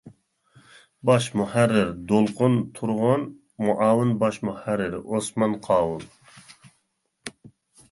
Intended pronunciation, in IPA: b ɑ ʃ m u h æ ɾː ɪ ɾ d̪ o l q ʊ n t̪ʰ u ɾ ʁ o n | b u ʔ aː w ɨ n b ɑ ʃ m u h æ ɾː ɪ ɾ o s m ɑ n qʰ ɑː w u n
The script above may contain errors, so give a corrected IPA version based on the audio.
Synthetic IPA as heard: b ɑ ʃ m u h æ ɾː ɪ ɾ d̪ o l q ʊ n t̪ʰ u ɾ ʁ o n | m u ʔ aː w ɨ n b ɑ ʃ m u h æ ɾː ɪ ɾ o s m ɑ n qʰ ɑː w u n